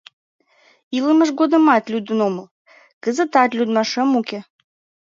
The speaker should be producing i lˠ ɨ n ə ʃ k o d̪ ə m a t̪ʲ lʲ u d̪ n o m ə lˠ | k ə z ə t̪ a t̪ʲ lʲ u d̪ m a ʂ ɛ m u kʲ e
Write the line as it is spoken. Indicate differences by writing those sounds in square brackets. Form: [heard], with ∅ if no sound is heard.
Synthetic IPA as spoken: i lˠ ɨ [m] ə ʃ [ɡ] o d̪ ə m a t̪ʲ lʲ u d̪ n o m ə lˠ | k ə z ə t̪ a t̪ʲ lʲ u d̪ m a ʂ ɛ m u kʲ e